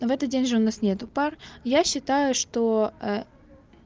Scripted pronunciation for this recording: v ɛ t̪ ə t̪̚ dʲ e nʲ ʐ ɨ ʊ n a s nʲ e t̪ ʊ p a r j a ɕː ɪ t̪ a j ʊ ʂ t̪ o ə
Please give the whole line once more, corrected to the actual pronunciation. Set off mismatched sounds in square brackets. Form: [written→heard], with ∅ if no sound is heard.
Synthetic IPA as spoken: v ɛ t̪ ə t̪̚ dʲ e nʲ ʐ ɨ ʊ n a s nʲ e t̪ ʊ p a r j a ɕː ɪ t̪ a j ʊ ʂ t̪ o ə